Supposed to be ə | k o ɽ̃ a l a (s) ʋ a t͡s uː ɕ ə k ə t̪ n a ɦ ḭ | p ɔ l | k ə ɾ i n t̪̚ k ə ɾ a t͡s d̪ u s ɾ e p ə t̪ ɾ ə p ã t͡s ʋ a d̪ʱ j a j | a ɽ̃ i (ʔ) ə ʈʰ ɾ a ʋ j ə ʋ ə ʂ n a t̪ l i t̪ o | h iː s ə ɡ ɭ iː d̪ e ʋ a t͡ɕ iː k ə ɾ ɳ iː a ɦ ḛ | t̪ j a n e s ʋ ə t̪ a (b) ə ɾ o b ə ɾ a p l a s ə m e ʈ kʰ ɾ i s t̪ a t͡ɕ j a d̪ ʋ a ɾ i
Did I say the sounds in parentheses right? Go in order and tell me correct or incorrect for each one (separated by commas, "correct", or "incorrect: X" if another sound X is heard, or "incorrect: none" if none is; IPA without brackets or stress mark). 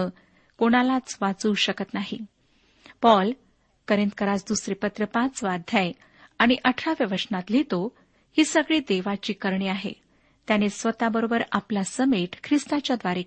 incorrect: t͡s, correct, correct